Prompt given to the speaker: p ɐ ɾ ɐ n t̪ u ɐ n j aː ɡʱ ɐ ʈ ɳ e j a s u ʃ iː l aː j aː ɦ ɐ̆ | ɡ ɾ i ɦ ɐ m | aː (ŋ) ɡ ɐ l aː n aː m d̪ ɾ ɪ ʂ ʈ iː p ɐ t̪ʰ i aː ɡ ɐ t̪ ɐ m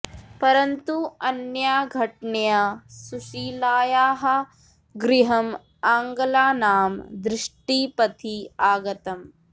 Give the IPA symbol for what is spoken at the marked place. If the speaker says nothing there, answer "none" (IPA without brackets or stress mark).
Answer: ŋ